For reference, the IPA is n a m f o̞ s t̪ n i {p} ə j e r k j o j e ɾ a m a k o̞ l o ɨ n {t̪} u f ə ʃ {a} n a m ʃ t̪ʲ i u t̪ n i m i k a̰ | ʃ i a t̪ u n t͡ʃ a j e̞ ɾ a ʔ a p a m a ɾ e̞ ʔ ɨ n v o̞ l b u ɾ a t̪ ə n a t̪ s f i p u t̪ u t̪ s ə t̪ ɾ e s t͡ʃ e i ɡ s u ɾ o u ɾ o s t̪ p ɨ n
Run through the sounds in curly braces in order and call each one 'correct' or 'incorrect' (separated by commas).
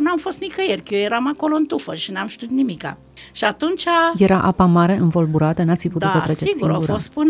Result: incorrect, correct, incorrect